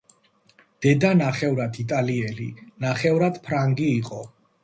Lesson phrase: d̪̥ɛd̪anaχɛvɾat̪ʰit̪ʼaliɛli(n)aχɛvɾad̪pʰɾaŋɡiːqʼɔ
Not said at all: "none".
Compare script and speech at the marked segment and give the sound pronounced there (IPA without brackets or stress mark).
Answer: n